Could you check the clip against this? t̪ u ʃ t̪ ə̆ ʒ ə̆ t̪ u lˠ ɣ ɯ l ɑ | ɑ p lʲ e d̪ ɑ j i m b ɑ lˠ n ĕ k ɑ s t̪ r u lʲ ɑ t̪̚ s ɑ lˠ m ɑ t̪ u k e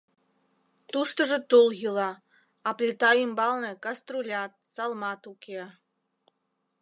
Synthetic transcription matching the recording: t̪ u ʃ t̪ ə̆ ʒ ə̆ t̪ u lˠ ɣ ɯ l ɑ | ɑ p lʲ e t̪ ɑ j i m b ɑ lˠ n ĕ k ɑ s t̪ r u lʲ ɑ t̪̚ s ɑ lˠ m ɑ t̪ u k e